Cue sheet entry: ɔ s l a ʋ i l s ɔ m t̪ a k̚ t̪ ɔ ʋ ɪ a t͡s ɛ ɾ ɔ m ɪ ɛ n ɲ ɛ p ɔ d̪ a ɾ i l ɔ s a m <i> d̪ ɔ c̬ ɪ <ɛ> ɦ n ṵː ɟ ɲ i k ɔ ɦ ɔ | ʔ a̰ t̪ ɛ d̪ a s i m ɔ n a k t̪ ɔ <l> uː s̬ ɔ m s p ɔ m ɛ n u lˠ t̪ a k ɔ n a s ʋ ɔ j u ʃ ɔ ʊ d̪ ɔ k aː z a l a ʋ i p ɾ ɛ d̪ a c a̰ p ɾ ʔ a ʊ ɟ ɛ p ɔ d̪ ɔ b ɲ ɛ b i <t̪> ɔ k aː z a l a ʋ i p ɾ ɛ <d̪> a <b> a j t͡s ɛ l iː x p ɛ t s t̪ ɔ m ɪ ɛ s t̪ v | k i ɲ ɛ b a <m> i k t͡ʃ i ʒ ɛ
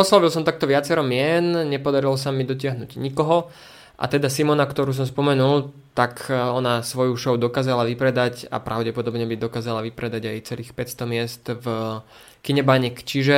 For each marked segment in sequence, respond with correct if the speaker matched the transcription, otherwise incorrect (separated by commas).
correct, incorrect, incorrect, incorrect, correct, incorrect, incorrect